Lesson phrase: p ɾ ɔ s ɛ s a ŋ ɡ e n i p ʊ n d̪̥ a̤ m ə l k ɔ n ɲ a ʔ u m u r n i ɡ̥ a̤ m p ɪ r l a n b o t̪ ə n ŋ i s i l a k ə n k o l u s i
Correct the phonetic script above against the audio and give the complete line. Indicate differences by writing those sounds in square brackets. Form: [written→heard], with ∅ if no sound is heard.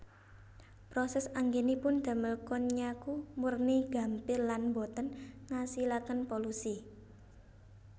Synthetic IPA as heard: p ɾ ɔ s ɛ s a ŋ ɡ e n i p ʊ n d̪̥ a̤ m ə l k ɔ n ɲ a [ʔ→k] u m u r n i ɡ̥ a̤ m p ɪ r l a n b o t̪ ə n ŋ [i→a] s i l a k ə n [k→p] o l u s i